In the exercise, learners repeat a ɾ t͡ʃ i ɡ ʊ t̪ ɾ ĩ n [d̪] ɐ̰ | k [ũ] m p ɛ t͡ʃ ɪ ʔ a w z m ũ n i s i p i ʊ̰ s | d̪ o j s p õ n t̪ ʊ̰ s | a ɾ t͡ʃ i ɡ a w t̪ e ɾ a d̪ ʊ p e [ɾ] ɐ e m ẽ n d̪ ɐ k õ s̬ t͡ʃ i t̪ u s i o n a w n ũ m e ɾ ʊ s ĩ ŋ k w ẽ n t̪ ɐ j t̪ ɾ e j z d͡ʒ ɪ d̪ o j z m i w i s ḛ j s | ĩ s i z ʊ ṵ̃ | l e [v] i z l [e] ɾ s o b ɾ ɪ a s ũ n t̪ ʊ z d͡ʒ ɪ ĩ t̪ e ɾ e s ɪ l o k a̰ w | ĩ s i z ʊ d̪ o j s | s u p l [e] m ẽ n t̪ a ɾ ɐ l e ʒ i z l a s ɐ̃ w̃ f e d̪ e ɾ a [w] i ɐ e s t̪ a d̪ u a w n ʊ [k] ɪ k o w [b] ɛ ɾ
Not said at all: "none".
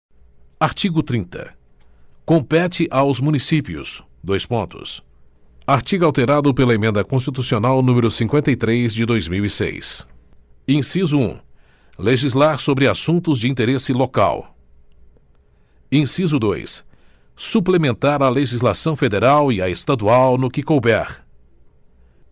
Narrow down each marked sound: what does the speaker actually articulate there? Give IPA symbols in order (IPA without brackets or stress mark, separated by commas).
t̪, õ, l, ʒ, a, e, w, k, b